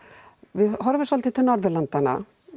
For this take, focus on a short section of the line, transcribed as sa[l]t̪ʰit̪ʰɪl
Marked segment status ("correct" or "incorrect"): correct